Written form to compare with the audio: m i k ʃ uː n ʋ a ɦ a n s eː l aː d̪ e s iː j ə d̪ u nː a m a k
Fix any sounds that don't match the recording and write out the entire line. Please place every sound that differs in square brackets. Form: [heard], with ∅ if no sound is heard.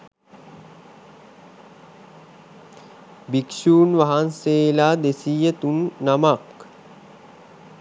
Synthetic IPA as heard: [b] i k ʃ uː n ʋ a ɦ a n s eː l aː d̪ e s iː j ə [t̪] u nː a m a k

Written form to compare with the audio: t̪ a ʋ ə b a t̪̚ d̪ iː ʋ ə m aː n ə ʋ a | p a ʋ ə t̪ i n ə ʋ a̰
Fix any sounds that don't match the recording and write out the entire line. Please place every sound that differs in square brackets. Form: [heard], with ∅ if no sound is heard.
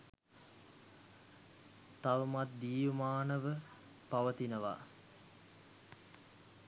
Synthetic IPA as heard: t̪ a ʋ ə [m] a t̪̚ d̪ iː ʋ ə m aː n ə ʋ [ə] | p a ʋ ə t̪ i n ə ʋ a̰

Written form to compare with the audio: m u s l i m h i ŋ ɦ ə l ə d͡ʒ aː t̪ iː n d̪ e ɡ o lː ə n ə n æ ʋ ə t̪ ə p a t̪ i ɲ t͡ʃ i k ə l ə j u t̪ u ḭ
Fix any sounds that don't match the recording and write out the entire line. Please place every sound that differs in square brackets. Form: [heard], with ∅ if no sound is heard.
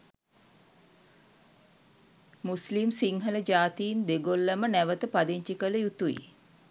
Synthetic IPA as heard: m u s l i m [s] i ŋ ɦ ə l ə d͡ʒ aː t̪ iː n d̪ e ɡ o lː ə [m] ə n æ ʋ ə t̪ ə p a [d̪] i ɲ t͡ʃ i k ə l ə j u t̪ u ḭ

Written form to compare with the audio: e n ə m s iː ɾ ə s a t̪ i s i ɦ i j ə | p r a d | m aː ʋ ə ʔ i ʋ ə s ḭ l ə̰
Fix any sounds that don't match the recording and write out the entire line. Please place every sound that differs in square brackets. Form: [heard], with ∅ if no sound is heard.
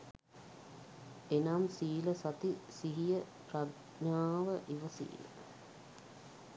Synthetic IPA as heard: e n [a] m s iː [l] ə s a t̪ i s i ɦ i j ə | p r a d | [ɲ] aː ʋ ə ʔ i ʋ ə s [ḭː] l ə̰

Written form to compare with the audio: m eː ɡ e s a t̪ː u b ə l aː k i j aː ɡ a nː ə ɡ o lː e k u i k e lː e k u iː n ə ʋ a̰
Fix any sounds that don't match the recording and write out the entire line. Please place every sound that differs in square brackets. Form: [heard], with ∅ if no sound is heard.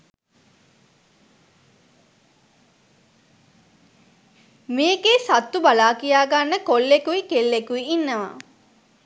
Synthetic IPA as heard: m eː ɡ e s a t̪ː u b [a] l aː k i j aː ɡ a nː ə [k] o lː e k u i k e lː e k u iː [nː] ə ʋ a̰

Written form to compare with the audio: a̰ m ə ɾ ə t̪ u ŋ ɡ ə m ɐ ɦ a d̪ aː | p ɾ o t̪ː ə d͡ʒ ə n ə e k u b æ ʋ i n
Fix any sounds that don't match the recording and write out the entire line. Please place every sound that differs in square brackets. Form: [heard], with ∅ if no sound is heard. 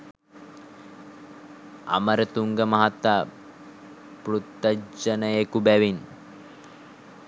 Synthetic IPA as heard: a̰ m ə ɾ ə t̪ u ŋ ɡ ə m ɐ ɦ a [t̪] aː | p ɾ [u] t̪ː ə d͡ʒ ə n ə e k u b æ ʋ i n

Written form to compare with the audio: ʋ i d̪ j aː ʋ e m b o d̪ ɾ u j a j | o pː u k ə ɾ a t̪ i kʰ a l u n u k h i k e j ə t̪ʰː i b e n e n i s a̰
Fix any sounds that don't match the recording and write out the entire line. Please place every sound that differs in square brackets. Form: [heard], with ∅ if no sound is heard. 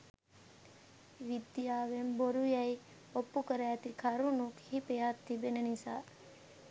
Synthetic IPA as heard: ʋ i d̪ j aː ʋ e m b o [∅] ɾ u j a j | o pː u k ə ɾ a t̪ i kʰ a [ɾ] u n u k h i [p] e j [a] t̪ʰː i b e n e n i s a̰

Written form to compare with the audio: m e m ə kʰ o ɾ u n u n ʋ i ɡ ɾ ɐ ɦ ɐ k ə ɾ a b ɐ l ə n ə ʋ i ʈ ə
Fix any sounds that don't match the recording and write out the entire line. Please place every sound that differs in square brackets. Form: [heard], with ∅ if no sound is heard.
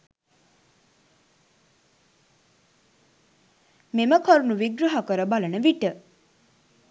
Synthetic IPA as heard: m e m ə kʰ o ɾ u n u [∅] ʋ i ɡ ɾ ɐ ɦ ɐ k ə ɾ [ə] b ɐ l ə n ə ʋ i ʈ ə

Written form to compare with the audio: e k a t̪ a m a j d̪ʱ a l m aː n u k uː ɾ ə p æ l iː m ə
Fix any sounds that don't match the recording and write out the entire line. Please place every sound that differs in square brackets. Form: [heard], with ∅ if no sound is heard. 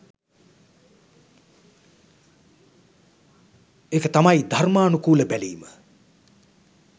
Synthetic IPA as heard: e k [ə] t̪ a m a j d̪ʱ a [r] m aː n u k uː [l] ə [b] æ l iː m ə

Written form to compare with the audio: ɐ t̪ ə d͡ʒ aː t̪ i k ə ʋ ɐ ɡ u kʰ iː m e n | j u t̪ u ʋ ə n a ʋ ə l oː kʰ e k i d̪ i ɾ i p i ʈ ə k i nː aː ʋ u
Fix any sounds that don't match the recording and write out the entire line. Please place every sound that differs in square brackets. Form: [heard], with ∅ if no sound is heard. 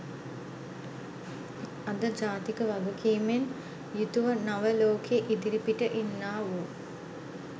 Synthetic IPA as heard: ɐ [d̪] ə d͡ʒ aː t̪ i k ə ʋ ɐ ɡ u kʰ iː m e n | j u t̪ u ʋ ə n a ʋ ə l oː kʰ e [ʔ] i d̪ i ɾ i p i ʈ ə [ʔ] i nː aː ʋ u

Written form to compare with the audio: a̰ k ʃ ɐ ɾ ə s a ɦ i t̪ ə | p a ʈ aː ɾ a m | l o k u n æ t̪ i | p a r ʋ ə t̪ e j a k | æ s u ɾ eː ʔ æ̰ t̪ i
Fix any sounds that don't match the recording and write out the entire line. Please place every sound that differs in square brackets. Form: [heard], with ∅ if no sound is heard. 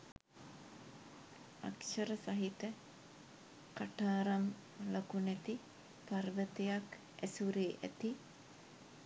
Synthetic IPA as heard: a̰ k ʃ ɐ ɾ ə s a ɦ i t̪ ə | [k] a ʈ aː ɾ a m | l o k u n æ t̪ i | p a r ʋ ə t̪ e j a k | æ s u ɾ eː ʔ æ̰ t̪ i

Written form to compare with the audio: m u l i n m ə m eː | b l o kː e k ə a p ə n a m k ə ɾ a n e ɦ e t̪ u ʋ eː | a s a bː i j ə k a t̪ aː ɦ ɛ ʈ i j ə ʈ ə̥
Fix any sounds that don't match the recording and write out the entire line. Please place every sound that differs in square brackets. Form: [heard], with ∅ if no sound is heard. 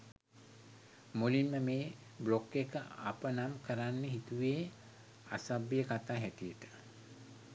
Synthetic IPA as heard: m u l i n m ə m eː | b l o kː e k ə a p ə n a m k ə ɾ a [nː] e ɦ [i] t̪ u ʋ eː | a s a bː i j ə k a t̪ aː ɦ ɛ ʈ i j ə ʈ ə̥

